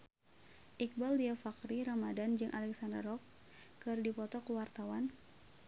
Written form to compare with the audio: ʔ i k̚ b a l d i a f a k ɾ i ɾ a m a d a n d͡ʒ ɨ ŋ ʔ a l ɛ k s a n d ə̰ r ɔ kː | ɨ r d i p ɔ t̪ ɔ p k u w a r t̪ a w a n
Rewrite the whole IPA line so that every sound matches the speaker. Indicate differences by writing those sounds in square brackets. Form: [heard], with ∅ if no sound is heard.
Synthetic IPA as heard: ʔ i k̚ b a l d i a f a k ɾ i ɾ a m a d a n d͡ʒ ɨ ŋ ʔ a l ɛ k s a n d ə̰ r ɔ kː | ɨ r d i p ɔ t̪ ɔ [∅] k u w a r t̪ a w a n